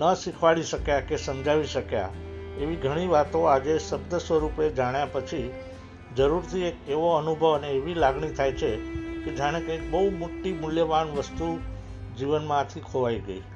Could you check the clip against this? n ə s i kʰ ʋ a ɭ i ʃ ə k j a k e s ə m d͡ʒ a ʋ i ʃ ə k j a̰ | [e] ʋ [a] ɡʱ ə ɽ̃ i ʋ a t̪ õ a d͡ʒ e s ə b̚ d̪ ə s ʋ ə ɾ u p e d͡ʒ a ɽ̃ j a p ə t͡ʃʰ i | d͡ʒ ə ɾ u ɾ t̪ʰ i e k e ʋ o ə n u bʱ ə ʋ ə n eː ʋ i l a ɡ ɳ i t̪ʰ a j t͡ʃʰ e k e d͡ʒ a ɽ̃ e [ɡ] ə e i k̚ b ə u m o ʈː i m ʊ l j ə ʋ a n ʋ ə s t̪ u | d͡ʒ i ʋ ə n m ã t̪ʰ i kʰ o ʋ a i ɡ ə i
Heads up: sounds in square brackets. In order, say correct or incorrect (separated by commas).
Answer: correct, incorrect, incorrect